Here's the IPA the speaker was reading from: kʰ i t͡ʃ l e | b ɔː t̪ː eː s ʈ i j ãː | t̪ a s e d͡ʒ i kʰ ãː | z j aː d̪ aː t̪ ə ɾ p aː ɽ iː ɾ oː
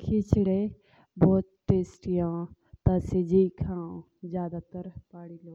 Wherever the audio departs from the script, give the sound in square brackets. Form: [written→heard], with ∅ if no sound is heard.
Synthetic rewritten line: kʰ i t͡ʃ [l→ɽ] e | b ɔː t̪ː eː s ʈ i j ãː | t̪ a s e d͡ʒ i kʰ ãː | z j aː d̪ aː t̪ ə ɾ p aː ɽ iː [ɾ→l] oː